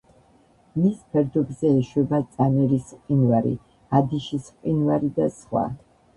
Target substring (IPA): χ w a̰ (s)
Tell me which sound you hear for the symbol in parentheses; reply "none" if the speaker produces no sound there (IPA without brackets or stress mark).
none